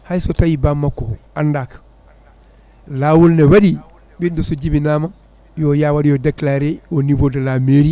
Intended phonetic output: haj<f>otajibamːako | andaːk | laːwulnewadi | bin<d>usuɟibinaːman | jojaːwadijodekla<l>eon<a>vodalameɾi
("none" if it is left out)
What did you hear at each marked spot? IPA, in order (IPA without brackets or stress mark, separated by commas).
s, d, ɾ, i